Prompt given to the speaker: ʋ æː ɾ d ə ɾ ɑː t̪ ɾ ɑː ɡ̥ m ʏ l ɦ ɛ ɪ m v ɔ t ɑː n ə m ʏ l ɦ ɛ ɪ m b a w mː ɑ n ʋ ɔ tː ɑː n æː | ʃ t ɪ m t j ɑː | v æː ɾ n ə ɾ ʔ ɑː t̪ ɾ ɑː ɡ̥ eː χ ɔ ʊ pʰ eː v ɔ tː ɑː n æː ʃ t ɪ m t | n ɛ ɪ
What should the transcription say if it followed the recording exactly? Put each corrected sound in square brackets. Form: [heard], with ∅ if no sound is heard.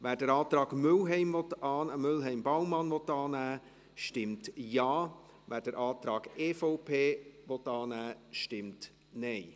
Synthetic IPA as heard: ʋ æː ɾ d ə ɾ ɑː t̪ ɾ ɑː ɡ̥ m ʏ l ɦ ɛ ɪ m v ɔ t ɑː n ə m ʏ l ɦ ɛ ɪ m b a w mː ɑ n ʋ ɔ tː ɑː n æː | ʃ t ɪ m t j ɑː | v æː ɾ [d] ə ɾ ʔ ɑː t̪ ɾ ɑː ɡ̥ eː [f] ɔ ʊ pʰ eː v ɔ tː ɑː n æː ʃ t ɪ m t | n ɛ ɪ